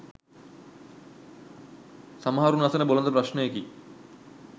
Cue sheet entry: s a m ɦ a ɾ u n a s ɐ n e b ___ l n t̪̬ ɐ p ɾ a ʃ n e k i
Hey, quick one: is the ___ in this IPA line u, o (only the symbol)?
o